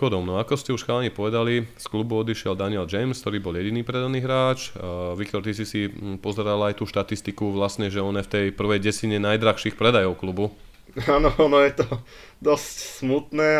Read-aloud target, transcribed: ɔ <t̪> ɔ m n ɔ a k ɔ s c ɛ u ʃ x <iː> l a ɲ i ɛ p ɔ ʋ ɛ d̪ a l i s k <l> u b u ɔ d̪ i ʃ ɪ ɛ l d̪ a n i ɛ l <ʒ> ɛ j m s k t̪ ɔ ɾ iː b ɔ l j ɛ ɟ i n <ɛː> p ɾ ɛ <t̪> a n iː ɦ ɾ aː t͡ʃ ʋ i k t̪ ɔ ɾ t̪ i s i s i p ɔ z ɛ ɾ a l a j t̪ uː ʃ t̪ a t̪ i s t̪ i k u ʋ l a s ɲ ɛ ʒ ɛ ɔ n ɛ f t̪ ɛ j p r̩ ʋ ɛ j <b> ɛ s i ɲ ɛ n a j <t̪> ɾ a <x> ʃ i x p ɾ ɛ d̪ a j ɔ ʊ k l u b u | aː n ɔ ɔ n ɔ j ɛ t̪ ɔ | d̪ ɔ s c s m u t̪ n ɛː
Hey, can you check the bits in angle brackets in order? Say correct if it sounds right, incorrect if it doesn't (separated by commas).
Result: incorrect, incorrect, correct, incorrect, incorrect, incorrect, incorrect, incorrect, correct